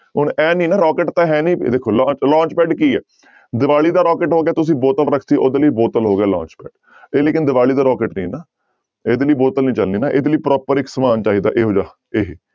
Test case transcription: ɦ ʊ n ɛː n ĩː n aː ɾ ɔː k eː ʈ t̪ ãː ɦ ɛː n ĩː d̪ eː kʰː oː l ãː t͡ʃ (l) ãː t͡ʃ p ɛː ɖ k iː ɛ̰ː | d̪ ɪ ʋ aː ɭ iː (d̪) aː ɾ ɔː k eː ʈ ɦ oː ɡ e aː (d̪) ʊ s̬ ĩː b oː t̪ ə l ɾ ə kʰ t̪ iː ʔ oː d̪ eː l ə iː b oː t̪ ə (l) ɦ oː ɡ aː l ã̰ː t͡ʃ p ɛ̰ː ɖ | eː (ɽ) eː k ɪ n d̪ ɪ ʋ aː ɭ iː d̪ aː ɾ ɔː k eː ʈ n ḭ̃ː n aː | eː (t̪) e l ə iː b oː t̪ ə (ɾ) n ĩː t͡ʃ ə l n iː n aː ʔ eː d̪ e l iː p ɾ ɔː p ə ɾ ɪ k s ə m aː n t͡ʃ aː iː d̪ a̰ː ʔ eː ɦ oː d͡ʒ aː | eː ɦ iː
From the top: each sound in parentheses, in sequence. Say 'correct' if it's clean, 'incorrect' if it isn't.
correct, correct, incorrect, correct, incorrect, incorrect, incorrect

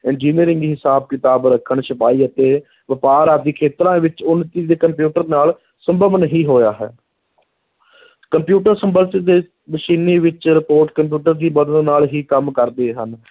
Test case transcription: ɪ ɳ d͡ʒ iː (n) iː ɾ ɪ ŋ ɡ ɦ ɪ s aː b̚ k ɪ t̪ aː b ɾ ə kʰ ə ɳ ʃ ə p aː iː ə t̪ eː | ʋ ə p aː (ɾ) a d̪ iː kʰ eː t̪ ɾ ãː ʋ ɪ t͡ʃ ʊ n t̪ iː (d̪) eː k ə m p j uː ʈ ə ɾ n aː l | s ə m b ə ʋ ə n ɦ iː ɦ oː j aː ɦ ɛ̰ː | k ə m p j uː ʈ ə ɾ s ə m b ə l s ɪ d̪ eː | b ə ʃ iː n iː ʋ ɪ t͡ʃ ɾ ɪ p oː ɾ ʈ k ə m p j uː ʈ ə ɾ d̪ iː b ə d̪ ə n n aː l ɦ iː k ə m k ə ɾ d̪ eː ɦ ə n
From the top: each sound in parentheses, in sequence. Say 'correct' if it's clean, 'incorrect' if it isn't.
correct, correct, correct

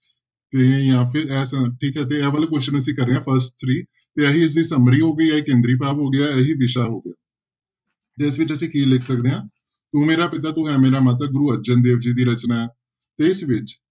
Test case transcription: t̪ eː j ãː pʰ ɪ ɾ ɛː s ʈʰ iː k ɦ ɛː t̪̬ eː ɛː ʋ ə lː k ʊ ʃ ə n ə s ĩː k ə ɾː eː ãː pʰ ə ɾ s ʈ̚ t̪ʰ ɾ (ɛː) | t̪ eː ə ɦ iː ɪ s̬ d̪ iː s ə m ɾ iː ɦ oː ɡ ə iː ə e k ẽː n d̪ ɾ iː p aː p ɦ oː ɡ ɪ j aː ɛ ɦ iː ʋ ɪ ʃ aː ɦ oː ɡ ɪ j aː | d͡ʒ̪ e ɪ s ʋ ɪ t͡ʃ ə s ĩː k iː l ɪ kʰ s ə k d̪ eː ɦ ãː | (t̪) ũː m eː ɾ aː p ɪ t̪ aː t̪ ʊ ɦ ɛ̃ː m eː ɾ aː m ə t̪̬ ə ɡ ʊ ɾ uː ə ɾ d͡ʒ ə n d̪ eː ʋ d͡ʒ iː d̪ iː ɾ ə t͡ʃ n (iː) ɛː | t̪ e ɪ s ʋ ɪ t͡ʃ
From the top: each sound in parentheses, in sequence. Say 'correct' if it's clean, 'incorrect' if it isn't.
incorrect, correct, incorrect

